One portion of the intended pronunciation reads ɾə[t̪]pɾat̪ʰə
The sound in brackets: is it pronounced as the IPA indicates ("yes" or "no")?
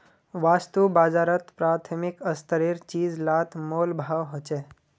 yes